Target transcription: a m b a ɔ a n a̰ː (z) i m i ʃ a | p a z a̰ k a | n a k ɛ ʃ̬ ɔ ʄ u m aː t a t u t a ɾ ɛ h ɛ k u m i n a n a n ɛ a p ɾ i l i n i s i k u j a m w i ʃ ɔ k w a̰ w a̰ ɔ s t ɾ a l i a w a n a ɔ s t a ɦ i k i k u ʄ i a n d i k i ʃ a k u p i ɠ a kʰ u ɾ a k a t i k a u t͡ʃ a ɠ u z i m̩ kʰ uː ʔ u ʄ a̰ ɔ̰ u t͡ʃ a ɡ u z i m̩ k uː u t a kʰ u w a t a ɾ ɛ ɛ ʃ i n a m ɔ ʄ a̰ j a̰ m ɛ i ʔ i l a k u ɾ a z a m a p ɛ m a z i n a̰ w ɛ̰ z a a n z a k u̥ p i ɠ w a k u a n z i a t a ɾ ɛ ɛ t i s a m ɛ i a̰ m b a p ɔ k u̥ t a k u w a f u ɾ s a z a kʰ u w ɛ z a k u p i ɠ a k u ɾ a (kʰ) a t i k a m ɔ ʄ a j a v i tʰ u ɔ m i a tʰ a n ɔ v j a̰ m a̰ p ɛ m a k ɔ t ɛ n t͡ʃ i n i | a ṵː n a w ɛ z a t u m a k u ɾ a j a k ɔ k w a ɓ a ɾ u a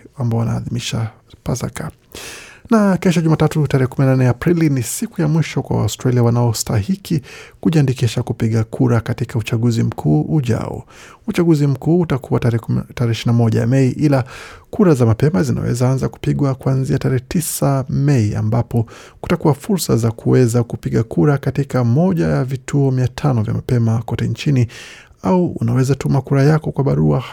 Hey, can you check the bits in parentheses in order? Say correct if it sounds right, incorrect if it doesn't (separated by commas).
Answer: incorrect, incorrect